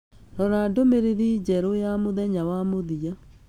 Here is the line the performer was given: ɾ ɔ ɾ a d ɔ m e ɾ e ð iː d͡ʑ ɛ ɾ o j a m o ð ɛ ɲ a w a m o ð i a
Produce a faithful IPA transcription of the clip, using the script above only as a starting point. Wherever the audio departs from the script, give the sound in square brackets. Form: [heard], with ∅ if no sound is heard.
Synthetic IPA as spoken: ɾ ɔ ɾ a d [o] m e ɾ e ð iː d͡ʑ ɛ ɾ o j a m o ð ɛ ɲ a w a m o ð i a